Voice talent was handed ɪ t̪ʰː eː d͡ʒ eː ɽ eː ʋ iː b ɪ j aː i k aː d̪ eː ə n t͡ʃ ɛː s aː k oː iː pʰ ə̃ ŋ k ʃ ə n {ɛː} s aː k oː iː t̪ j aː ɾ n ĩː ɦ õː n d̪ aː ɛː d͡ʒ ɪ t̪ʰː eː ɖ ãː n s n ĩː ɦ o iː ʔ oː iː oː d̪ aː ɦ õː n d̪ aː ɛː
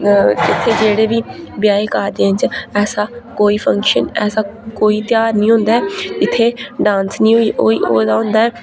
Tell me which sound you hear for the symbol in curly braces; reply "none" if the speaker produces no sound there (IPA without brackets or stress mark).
ɛː